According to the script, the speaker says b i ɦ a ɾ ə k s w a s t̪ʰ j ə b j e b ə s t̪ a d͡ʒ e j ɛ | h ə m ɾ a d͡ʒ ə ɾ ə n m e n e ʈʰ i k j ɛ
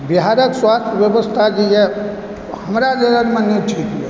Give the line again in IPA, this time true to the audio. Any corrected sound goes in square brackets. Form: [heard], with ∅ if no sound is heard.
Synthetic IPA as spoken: b i ɦ a ɾ ə k s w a s t̪ʰ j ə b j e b ə s [t̪ʰ] a d͡ʒ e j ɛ | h ə m ɾ a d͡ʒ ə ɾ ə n m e n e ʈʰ i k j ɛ